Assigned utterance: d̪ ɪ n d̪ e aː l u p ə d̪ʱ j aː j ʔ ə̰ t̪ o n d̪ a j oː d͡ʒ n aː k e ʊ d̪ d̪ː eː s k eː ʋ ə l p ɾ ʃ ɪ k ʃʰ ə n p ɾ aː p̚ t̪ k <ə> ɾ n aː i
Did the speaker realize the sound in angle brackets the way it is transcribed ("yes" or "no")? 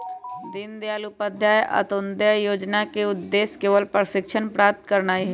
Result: yes